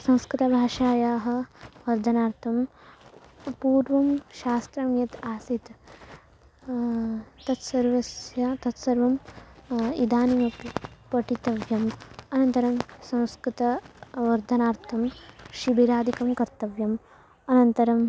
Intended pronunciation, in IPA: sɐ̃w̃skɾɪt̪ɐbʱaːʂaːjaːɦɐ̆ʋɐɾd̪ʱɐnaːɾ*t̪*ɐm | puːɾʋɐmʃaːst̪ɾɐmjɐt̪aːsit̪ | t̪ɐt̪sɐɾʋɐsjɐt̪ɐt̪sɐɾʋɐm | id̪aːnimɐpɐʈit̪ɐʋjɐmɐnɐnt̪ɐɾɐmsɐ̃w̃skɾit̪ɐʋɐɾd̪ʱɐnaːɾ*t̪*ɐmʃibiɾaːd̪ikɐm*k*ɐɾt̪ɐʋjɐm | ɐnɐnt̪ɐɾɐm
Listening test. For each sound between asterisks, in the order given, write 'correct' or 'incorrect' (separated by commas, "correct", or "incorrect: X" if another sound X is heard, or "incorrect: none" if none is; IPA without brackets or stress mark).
incorrect: t̪ʰ, incorrect: t̪ʰ, correct